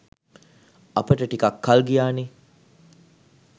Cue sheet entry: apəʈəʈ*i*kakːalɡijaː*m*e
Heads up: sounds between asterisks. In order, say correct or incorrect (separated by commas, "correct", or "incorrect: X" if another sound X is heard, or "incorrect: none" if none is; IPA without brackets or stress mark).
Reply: correct, incorrect: n